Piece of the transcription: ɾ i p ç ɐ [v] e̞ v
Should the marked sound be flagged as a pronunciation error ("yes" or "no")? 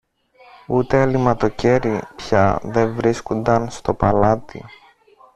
yes